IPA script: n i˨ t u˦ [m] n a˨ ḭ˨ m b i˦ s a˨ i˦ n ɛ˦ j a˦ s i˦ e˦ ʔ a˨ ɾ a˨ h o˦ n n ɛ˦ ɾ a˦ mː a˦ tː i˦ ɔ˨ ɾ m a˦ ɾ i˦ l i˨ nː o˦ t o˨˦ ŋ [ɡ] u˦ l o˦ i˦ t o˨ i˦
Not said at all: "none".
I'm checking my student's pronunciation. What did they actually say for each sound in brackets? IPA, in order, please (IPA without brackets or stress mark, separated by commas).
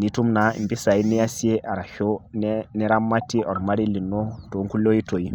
m, k